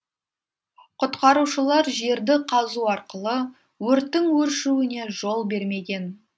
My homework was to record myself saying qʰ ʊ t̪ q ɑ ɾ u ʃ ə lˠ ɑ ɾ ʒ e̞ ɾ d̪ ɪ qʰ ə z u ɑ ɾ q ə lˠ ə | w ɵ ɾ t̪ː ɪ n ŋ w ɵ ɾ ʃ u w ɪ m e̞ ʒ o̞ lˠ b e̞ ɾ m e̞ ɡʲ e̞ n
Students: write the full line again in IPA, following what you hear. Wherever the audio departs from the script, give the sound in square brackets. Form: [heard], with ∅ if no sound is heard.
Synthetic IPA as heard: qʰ ʊ t̪ q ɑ ɾ u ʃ ə lˠ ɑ ɾ ʒ e̞ ɾ d̪ ɪ qʰ [ɑ] z u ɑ ɾ q ə lˠ ə | w ɵ ɾ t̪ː ɪ [∅] ŋ w ɵ ɾ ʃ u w ɪ [n] e̞ ʒ o̞ lˠ b e̞ ɾ m e̞ ɡʲ e̞ n